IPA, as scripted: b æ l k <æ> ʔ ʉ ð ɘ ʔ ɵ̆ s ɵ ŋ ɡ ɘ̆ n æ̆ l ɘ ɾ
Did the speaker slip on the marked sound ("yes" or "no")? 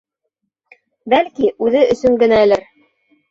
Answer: yes